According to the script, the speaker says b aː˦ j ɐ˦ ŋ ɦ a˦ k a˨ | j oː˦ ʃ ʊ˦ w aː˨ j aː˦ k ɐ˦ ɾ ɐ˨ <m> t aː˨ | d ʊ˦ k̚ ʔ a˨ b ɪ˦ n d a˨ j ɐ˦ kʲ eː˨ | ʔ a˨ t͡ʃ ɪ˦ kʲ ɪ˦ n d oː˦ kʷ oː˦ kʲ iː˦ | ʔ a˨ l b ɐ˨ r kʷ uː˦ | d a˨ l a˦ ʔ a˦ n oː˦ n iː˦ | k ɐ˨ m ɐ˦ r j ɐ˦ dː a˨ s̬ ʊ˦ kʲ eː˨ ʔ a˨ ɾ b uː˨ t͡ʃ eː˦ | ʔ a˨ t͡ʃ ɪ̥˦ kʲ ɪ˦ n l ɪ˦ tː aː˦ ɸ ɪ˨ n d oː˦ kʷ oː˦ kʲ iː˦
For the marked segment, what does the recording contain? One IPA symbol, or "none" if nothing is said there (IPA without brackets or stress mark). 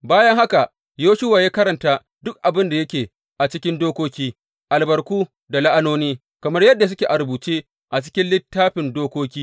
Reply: n